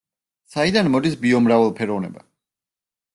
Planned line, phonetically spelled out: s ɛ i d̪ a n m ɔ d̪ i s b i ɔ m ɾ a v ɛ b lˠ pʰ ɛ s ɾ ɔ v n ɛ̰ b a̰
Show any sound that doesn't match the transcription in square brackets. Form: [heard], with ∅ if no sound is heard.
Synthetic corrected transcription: s [a] i d̪ a n m ɔ d̪ i s b i ɔ m ɾ a v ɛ [∅] lˠ pʰ ɛ [∅] ɾ ɔ v n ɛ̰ b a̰

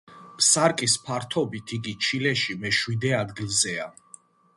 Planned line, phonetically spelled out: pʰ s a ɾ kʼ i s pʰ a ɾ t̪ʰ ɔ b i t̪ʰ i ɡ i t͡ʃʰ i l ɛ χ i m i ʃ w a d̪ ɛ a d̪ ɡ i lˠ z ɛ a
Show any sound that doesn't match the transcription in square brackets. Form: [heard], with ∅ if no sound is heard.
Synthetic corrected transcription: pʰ s a ɾ kʼ i s pʰ a ɾ t̪ʰ ɔ b i t̪ʰ i ɡ i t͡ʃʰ i l ɛ [ʃ] i m [ɛ] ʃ w [i] d̪ ɛ a d̪ ɡ i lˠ z ɛ a

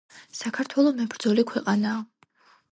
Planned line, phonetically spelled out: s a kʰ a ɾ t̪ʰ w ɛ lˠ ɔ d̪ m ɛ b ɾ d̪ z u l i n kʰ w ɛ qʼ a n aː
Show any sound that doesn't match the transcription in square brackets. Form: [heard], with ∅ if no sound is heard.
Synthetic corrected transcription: s a kʰ a ɾ t̪ʰ w ɛ lˠ ɔ [∅] m ɛ b ɾ d̪ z [ɔ] l i [∅] kʰ w ɛ qʼ a n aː

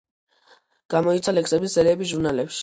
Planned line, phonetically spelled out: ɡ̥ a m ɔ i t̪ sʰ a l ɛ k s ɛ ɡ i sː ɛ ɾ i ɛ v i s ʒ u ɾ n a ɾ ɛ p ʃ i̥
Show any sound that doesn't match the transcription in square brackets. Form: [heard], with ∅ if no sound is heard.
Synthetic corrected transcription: ɡ̥ a m ɔ i t̪ sʰ a l ɛ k s ɛ [b] i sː ɛ ɾ i ɛ [b] i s ʒ u ɾ n a [l] ɛ p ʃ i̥

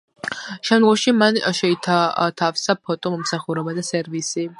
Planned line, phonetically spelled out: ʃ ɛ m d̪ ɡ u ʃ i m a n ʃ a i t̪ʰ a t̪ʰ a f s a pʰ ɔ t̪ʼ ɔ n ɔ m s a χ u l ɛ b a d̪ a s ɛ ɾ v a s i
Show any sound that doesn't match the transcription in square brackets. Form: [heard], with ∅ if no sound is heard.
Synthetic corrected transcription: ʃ ɛ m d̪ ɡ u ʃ i m a n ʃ [ɛ] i t̪ʰ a t̪ʰ a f s a pʰ ɔ t̪ʼ ɔ [m] ɔ m s a χ u [ɾ] ɛ b a d̪ a s ɛ ɾ v [i] s i

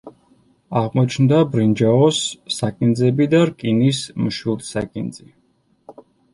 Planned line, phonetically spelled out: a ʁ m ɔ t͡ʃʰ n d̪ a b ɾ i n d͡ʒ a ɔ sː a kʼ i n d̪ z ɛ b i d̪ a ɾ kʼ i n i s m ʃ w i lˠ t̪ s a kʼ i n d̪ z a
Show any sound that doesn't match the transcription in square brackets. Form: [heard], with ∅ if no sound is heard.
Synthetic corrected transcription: a ʁ m ɔ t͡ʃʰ n d̪ a b ɾ i n d͡ʒ a ɔ sː a kʼ i n d̪ z ɛ b i d̪ a ɾ kʼ i n i s m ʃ w i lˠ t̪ s a kʼ i n d̪ z [i]

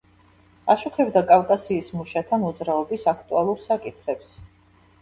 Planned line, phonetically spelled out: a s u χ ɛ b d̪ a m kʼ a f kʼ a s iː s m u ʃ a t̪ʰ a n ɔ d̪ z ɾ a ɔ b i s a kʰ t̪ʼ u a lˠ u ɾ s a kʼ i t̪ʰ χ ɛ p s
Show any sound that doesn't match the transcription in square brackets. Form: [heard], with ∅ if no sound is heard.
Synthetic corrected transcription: a [ʃ] u χ ɛ b d̪ a [∅] kʼ a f kʼ a s iː s m u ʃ a t̪ʰ a n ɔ d̪ z ɾ a ɔ b i s a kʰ t̪ʼ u a lˠ u ɾ s a kʼ i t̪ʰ χ ɛ p s

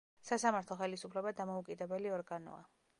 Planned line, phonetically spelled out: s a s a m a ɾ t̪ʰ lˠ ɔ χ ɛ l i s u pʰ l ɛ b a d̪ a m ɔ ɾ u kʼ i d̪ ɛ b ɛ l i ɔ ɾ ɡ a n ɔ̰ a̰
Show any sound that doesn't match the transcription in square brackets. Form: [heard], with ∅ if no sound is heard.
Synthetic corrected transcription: s a s a m a ɾ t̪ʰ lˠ ɔ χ ɛ l i s u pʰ l ɛ b a d̪ a m ɔ [∅] u kʼ i d̪ ɛ b ɛ l i ɔ ɾ ɡ a n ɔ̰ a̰

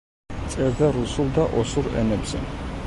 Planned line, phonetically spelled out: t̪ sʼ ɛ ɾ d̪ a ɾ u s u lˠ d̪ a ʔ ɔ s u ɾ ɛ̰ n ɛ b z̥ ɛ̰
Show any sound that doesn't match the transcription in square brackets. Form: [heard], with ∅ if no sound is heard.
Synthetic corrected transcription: t̪ sʼ ɛ ɾ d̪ a ɾ u s u lˠ d̪ a ʔ ɔ s u ɾ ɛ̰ n ɛ b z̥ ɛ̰

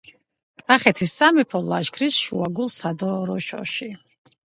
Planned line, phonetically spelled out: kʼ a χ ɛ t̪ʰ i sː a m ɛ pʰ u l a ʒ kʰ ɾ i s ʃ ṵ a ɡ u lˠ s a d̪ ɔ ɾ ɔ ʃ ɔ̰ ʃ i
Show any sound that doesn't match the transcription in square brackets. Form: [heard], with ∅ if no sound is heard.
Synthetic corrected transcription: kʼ a χ ɛ t̪ʰ i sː a m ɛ pʰ [ɔ] l a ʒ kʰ ɾ i s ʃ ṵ a ɡ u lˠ s a d̪ ɔ ɾ ɔ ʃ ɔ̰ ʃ i

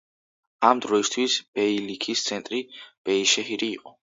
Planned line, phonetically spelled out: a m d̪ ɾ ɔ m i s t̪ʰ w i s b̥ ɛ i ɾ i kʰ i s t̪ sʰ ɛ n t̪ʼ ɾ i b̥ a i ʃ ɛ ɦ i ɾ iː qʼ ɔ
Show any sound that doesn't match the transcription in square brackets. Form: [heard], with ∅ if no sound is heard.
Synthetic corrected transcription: a m d̪ ɾ ɔ [∅] i s t̪ʰ w i s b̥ ɛ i [l] i kʰ i s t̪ sʰ ɛ n t̪ʼ ɾ i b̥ [ɛ] i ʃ ɛ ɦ i ɾ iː qʼ ɔ

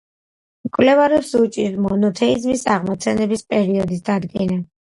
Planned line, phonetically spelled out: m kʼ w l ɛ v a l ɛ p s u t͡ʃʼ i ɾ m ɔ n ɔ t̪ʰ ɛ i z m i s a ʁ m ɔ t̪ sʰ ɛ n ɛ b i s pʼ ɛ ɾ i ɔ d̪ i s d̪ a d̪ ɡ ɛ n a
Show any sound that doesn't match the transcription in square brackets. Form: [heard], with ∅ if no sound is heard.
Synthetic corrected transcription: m kʼ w l ɛ v a [ɾ] ɛ p s u t͡ʃʼ i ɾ m ɔ n ɔ t̪ʰ ɛ i z m i s a ʁ m ɔ t̪ sʰ ɛ n ɛ b i s pʼ ɛ ɾ i ɔ d̪ i s d̪ a d̪ ɡ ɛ n a

